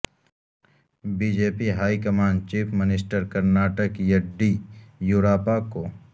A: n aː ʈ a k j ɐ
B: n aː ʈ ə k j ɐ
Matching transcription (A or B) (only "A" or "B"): B